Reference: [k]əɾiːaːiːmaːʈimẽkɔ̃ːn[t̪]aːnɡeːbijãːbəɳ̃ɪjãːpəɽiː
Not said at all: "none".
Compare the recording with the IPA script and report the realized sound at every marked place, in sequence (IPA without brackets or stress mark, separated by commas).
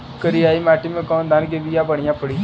k, d̪